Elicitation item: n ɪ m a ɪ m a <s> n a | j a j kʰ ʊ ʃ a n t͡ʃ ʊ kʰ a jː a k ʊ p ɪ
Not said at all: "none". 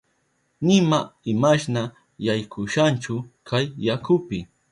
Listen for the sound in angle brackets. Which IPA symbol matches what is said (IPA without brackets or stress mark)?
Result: ʃ